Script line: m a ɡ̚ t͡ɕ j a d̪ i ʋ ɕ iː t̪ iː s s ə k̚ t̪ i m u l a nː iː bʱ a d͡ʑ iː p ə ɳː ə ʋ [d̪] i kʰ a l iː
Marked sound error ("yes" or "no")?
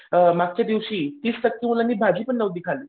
no